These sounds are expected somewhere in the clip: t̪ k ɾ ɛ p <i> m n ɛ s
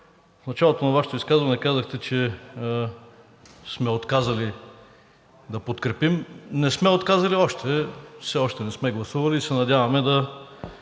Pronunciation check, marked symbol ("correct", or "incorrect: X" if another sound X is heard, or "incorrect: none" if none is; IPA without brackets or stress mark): correct